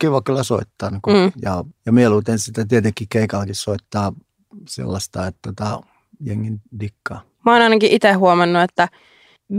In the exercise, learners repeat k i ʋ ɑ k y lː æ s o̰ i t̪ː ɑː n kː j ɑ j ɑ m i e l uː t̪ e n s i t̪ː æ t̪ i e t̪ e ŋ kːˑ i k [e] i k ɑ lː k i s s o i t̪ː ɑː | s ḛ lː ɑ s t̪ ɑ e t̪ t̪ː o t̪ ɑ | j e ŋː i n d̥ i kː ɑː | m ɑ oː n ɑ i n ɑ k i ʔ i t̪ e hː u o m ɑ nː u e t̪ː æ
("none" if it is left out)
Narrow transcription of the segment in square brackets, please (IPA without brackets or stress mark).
e